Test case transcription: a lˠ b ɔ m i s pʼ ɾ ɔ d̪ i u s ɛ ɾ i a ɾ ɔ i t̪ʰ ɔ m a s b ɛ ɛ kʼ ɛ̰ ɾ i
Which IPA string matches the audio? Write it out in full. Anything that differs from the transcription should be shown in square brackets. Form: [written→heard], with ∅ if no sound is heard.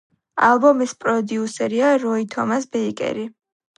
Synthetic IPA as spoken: a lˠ b ɔ m i s pʼ ɾ ɔ d̪ i u s ɛ ɾ i a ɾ ɔ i t̪ʰ ɔ m a s b ɛ [ɛ→i] kʼ ɛ̰ ɾ i